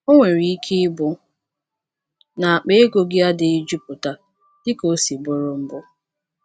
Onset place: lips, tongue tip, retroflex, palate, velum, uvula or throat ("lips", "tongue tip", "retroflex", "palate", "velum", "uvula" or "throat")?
velum